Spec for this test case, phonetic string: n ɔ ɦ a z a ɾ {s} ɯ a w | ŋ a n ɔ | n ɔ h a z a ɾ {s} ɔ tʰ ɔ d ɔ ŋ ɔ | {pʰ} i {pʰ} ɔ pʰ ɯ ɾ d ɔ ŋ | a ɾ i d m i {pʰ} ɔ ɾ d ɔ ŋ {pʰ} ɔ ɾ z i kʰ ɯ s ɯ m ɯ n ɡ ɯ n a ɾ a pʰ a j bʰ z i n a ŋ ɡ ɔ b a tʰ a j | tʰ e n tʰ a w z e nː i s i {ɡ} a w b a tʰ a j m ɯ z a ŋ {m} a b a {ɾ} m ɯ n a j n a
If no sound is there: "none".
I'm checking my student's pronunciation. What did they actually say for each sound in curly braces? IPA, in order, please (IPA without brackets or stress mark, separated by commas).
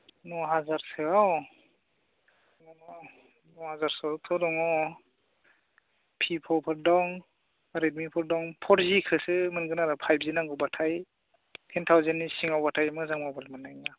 s, s, pʰ, pʰ, pʰ, pʰ, ŋ, m, l